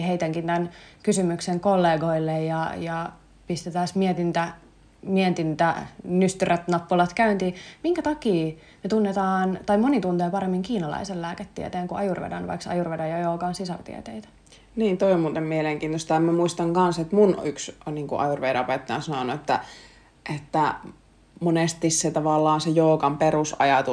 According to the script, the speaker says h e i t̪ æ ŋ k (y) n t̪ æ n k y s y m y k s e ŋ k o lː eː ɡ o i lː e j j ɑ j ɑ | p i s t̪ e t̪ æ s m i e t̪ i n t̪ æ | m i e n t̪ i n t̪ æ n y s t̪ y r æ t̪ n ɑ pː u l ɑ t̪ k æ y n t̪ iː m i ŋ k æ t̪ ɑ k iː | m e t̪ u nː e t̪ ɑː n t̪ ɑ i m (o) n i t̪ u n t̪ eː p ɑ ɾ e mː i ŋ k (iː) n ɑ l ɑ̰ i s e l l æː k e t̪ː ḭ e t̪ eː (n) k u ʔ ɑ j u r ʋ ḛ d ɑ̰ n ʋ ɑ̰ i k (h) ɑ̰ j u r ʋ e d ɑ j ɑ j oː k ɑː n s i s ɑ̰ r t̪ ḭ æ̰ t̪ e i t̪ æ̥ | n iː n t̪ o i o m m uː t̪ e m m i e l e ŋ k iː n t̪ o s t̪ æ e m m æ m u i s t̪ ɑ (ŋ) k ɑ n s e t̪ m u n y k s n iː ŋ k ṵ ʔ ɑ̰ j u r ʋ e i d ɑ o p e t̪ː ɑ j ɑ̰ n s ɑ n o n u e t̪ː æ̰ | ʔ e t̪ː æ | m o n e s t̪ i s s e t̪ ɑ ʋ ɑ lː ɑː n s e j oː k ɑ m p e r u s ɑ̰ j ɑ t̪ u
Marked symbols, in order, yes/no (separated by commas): no, yes, yes, no, no, yes